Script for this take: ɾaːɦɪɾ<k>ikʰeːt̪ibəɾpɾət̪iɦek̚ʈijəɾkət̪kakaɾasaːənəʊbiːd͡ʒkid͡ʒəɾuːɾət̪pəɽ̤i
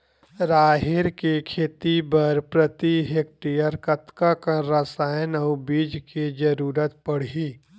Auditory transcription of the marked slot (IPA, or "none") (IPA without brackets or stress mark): k